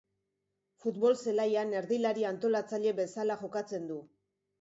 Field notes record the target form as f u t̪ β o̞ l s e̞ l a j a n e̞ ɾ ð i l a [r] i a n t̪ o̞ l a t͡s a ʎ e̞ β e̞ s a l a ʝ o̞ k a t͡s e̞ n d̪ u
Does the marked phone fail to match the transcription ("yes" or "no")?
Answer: yes